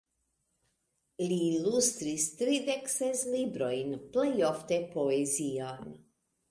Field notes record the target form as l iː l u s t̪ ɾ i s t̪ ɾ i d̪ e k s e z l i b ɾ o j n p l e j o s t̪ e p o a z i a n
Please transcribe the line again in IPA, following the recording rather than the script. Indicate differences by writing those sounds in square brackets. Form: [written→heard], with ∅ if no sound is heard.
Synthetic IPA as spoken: l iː l u s t̪ ɾ i s t̪ ɾ i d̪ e k s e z l i b ɾ o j n p l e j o [s→f] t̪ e p o [a→e] z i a n